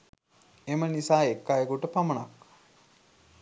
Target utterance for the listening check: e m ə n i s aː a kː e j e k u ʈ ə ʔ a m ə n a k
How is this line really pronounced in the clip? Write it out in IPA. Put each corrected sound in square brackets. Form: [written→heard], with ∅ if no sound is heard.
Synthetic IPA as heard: e m ə n i s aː [a→e] kː [e→a] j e k u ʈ ə [ʔ→p] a m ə n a k